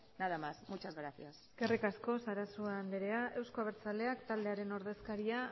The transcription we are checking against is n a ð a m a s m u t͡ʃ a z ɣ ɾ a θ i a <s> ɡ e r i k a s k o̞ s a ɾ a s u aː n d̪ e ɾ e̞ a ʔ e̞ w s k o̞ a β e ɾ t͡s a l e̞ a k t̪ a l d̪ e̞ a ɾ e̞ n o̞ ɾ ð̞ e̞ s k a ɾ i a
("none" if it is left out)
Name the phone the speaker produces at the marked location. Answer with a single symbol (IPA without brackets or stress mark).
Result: s